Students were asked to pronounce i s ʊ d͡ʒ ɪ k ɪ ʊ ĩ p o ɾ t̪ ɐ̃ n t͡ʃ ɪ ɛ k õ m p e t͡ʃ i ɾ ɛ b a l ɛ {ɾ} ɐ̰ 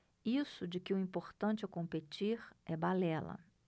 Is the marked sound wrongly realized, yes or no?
yes